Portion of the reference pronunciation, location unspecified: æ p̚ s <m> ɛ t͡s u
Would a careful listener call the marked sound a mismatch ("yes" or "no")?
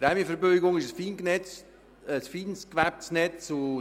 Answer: yes